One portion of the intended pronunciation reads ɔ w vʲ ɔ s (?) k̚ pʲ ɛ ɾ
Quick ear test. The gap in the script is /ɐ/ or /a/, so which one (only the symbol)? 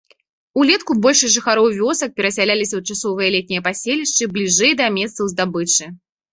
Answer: ɐ